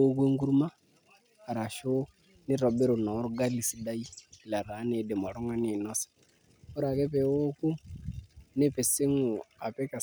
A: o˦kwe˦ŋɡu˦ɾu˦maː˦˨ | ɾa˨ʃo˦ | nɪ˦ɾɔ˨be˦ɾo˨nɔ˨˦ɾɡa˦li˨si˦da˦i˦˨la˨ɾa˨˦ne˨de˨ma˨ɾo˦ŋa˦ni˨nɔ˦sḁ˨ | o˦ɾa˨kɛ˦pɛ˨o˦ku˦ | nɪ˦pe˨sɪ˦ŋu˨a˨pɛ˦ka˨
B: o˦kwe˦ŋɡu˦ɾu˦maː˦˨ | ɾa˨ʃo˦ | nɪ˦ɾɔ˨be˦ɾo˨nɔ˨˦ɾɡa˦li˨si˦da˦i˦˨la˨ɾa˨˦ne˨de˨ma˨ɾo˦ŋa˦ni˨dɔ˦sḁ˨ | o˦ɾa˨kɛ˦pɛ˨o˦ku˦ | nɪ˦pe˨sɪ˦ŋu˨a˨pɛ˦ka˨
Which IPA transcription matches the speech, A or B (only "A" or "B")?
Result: A